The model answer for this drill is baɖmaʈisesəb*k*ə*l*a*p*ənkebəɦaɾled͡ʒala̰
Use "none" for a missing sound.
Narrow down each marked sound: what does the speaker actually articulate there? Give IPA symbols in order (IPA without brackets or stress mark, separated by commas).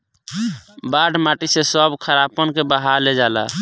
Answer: kʰ, ɾ, p